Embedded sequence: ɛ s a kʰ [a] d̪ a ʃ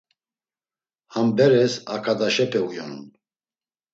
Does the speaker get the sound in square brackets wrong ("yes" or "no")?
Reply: no